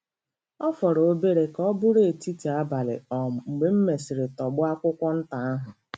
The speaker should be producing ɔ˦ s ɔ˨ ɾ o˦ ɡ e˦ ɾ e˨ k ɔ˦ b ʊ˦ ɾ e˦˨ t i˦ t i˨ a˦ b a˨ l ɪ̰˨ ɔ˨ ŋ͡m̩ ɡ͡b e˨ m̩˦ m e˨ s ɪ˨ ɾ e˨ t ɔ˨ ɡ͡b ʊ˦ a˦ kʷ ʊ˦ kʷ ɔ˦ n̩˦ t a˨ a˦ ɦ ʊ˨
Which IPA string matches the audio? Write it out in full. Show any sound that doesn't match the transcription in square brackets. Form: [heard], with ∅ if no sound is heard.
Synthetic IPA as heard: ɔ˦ [f] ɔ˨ ɾ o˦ [b] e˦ ɾ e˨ k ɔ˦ b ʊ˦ ɾ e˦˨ t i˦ t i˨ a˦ b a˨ l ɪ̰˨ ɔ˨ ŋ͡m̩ ɡ͡b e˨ m̩˦ m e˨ s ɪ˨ ɾ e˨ t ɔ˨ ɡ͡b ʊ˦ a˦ kʷ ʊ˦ kʷ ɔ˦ n̩˦ t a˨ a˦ ɦ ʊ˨